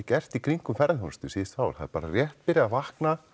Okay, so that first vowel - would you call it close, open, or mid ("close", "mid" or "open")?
mid